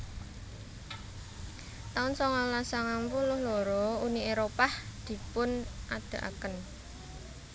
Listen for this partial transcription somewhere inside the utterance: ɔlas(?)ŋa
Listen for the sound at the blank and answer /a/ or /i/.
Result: a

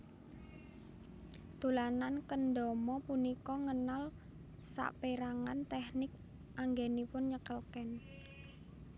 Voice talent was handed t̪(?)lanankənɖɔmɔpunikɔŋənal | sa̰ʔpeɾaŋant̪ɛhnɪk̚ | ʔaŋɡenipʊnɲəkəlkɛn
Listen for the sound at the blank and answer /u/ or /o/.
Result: u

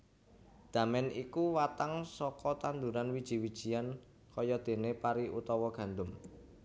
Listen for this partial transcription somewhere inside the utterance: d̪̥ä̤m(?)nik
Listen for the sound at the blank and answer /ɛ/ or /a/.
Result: ɛ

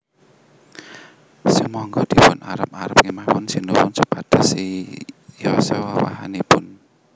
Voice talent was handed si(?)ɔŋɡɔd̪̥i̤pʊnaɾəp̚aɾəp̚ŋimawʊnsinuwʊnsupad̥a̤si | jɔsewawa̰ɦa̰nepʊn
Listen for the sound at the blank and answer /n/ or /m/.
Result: m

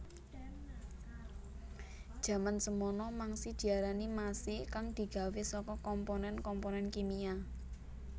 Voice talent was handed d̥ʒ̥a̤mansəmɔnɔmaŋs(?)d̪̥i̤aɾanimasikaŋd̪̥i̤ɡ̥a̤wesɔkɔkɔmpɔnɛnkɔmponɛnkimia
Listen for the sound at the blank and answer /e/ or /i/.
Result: i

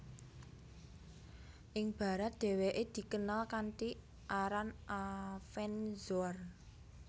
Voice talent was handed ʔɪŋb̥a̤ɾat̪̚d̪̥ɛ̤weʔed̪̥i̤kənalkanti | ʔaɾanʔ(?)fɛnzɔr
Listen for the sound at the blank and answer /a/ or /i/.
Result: a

